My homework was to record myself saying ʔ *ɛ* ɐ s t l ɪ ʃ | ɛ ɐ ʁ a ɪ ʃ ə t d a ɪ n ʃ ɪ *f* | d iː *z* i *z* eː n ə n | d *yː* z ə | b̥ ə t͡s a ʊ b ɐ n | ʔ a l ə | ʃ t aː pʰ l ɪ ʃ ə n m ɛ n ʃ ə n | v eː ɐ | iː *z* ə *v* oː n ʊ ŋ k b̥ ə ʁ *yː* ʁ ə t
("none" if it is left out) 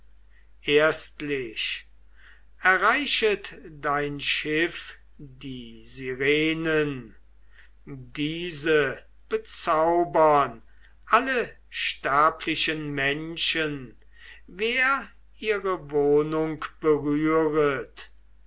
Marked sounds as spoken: e, f, z, ʁ, iː, ʁ, v, yː

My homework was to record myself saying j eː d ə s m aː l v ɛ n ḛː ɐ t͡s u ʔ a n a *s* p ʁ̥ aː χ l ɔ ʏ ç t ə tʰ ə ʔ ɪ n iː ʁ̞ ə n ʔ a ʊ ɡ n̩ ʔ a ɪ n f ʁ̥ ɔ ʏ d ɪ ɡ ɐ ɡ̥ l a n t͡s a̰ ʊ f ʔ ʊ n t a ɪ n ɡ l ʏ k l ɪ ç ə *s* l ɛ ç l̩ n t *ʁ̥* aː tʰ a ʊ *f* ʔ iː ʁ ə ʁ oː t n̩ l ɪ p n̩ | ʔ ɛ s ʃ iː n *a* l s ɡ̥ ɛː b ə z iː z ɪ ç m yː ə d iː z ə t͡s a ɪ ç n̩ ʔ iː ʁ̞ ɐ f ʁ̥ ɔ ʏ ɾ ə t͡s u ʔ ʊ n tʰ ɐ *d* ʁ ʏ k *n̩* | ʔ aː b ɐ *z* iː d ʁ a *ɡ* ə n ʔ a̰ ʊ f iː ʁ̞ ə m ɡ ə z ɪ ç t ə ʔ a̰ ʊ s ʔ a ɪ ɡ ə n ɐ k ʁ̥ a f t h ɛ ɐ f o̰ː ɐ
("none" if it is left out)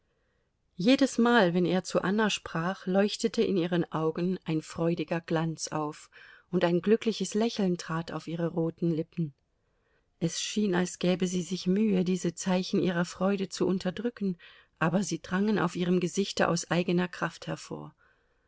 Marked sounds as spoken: ʃ, s, ʁ̥, f, a, d, n̩, z, ŋ

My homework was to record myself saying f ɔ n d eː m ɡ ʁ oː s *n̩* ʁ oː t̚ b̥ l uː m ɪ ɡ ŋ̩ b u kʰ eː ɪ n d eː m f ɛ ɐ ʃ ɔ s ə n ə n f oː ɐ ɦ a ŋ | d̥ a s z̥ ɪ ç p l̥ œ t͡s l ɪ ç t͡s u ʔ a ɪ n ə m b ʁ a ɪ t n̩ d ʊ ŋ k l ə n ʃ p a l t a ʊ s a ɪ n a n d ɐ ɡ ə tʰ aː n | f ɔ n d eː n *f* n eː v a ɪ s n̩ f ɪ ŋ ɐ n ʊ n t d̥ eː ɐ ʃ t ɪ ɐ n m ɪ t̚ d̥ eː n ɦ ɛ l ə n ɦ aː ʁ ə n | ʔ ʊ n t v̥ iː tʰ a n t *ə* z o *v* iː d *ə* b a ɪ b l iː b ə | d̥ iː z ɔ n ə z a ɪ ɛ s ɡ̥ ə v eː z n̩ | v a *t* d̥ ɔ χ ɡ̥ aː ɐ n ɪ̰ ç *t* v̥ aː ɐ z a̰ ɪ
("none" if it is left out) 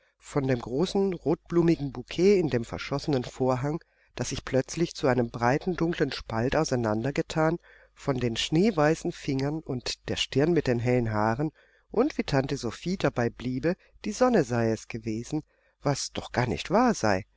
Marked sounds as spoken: n̩, ʃ, ə, f, a, s, t

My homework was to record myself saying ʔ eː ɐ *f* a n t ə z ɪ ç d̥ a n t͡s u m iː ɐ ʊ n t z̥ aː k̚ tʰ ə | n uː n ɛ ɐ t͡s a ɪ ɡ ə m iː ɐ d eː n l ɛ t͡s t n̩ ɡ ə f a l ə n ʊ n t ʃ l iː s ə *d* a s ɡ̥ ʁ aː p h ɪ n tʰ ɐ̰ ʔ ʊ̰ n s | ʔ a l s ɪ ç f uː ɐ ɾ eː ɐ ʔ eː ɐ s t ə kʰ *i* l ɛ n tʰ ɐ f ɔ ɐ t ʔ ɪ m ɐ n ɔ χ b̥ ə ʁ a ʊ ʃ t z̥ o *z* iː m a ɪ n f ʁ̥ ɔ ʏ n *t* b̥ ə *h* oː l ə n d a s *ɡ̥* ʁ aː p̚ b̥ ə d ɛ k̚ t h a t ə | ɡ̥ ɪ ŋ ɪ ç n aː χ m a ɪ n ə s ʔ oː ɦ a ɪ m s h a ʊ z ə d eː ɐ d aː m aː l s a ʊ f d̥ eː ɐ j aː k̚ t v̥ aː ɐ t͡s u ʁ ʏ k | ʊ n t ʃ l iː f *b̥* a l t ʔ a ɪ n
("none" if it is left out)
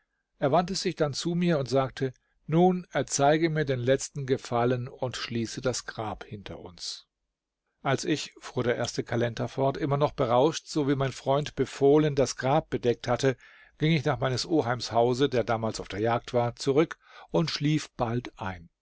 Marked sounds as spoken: v, d, a, v, t, f, ɡ̥, b̥

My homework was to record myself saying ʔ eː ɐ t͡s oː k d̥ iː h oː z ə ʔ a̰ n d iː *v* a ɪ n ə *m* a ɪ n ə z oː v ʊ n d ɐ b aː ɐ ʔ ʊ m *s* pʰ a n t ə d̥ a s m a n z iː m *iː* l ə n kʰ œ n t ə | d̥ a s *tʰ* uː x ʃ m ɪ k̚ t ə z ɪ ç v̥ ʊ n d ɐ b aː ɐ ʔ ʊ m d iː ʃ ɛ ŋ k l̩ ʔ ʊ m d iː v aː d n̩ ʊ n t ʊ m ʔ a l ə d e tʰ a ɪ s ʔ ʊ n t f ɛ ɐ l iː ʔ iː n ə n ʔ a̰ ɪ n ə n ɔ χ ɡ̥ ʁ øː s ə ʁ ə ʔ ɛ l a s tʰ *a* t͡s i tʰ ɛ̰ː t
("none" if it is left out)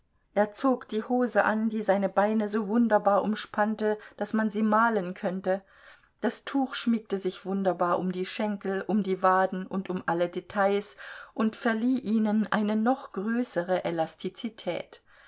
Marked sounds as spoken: z, b, ʃ, aː, tʰ, i

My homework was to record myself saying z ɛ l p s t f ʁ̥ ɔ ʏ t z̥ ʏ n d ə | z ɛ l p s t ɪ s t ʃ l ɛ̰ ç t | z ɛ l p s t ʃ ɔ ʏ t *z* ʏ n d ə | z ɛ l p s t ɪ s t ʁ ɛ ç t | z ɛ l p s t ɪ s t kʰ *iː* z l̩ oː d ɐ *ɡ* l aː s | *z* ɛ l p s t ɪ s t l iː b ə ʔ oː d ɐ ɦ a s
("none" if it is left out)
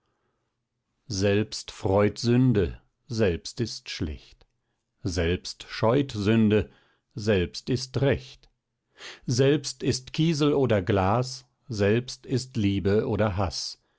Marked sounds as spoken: z, iː, ɡ, z

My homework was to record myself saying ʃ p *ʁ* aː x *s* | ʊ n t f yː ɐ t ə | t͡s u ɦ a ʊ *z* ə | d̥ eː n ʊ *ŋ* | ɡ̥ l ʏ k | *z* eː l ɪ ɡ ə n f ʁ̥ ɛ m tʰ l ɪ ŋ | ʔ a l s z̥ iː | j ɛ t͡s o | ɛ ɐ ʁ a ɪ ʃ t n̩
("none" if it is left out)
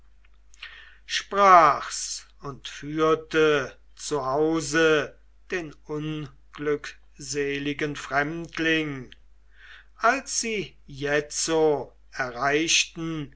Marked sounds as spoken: ʁ, s, z, n, z

